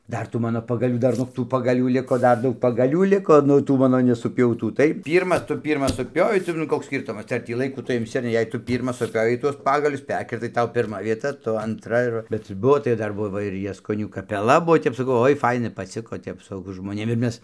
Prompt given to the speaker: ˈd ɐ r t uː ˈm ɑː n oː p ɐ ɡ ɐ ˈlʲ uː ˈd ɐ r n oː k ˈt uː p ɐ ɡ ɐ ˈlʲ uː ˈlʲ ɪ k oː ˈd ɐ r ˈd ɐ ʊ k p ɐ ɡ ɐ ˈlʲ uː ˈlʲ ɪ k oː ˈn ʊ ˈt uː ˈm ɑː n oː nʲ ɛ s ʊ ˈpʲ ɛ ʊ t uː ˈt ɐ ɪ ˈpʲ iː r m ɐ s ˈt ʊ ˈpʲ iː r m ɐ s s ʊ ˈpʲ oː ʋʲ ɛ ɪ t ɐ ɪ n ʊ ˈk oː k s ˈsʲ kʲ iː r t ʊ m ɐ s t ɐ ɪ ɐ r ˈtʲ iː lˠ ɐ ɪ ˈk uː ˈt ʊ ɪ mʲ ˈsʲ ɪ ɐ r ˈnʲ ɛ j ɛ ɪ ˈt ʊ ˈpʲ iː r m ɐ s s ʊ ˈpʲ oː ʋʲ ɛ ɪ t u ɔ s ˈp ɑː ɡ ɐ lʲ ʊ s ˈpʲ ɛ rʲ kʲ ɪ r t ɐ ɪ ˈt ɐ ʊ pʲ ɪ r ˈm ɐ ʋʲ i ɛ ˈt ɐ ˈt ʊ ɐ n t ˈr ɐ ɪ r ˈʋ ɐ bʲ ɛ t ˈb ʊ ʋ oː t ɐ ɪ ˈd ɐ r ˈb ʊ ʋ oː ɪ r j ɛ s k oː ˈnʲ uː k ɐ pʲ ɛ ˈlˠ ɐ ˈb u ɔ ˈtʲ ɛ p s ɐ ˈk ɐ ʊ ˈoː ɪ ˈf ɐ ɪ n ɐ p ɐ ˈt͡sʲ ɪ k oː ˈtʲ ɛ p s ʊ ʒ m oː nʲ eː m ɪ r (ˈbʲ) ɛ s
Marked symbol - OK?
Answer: no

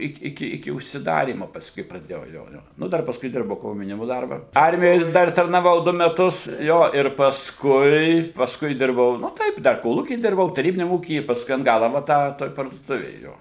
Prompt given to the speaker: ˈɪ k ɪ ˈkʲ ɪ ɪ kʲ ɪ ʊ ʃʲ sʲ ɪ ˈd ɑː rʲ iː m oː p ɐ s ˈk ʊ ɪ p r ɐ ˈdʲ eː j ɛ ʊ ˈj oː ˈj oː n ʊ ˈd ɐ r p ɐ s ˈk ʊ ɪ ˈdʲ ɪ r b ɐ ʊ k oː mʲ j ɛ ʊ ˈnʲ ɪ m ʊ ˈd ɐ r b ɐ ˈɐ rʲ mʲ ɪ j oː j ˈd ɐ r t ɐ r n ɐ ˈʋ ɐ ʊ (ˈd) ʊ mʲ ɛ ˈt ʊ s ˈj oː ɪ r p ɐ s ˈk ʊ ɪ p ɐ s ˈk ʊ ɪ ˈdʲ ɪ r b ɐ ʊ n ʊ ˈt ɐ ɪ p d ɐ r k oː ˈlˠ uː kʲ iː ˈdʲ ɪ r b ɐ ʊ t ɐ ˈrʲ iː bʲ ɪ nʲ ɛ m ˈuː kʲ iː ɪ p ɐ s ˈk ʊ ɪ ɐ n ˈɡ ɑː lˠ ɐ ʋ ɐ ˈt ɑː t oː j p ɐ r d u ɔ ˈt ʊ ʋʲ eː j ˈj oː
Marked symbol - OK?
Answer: yes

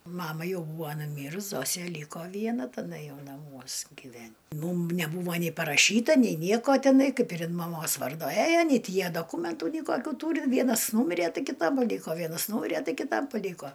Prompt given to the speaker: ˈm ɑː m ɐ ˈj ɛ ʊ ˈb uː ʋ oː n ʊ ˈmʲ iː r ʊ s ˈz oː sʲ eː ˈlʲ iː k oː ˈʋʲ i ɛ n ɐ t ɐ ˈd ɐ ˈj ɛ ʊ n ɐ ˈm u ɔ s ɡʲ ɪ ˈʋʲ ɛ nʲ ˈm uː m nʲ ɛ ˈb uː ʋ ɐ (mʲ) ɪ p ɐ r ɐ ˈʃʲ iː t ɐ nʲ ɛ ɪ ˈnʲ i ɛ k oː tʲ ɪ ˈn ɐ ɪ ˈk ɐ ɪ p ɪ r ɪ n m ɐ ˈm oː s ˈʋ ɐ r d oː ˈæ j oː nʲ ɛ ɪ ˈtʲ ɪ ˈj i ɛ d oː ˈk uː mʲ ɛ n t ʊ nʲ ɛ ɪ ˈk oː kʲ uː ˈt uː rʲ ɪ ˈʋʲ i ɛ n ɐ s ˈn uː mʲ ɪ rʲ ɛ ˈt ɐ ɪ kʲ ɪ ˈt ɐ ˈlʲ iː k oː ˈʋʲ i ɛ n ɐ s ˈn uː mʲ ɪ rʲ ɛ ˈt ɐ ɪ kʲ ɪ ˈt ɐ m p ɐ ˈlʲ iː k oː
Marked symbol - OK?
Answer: no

